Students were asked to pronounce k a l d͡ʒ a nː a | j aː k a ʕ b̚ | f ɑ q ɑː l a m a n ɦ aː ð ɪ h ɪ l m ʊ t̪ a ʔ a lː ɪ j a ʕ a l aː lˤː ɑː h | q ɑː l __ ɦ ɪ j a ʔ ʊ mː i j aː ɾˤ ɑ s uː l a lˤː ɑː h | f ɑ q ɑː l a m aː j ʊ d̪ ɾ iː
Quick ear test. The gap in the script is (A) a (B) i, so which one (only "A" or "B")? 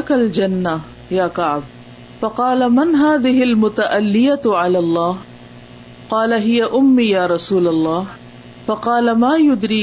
A